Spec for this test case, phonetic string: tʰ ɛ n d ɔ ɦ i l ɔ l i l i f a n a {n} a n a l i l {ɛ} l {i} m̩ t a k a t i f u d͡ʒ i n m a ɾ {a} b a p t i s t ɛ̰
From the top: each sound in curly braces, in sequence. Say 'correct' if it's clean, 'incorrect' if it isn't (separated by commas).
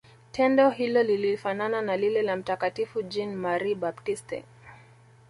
correct, correct, incorrect, incorrect